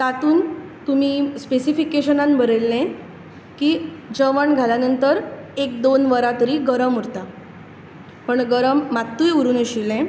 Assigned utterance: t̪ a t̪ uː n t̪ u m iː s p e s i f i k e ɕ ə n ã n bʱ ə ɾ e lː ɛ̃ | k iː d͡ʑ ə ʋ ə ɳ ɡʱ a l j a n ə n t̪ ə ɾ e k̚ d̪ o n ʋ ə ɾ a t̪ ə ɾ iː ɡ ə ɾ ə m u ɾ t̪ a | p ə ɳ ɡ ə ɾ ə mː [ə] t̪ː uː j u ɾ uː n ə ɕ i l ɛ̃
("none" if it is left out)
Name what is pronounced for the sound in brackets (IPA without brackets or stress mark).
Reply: a